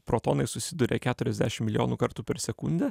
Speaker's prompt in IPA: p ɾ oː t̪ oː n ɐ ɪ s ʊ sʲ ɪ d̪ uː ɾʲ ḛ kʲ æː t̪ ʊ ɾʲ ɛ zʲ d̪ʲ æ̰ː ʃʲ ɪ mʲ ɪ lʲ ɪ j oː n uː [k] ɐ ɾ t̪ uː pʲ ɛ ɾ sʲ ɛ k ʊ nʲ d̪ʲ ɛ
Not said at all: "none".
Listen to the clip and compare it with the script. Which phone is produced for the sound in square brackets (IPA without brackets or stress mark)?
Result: k